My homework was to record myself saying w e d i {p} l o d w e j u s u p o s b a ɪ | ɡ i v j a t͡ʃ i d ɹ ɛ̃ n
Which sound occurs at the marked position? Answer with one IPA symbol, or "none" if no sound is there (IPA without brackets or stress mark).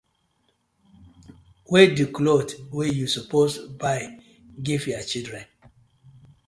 k